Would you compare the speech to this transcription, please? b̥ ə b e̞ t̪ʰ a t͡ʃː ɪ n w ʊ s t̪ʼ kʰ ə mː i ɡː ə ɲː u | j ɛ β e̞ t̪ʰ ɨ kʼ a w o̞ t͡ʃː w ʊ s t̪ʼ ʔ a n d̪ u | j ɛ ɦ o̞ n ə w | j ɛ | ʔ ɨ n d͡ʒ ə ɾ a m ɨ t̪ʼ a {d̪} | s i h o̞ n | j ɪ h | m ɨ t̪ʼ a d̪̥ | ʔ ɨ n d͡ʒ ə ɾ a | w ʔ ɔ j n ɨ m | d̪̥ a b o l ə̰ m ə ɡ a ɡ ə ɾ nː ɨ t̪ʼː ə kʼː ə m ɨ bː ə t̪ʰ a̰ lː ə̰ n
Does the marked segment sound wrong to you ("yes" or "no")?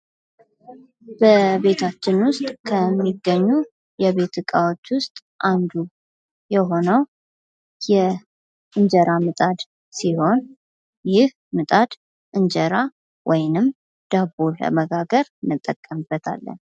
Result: no